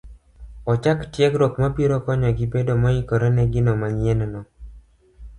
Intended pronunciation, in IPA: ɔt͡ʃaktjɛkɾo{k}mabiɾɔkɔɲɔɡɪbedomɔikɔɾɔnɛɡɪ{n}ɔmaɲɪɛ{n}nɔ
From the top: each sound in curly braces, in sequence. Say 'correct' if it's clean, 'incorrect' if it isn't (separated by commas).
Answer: correct, correct, correct